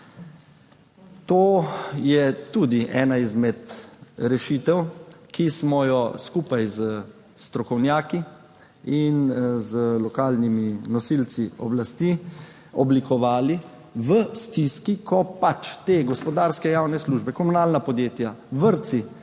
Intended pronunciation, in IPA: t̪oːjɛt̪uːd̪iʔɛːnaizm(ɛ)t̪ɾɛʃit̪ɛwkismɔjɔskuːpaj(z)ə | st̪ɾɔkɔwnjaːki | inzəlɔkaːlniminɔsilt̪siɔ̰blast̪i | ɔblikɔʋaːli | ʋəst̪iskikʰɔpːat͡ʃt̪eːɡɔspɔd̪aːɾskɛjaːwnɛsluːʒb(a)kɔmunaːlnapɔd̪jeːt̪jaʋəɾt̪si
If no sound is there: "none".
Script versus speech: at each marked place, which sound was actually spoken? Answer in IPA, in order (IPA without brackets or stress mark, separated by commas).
ɛ, z, ɛ